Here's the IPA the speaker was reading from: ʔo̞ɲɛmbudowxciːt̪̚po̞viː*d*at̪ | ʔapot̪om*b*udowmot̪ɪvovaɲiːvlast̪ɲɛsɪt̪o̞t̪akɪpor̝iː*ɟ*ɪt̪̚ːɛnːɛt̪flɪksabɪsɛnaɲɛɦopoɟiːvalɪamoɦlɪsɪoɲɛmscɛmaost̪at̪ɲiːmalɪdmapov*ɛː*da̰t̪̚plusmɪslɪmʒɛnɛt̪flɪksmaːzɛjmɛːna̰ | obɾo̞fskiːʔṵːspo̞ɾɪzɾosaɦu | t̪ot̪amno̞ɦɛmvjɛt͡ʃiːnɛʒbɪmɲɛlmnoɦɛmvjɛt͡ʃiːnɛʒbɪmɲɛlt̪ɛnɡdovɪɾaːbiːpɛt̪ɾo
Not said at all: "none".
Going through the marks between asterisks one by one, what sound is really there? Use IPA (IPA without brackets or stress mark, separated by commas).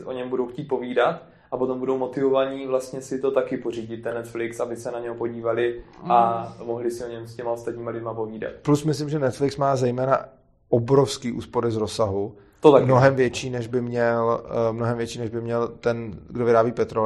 d, b, ɟ, iː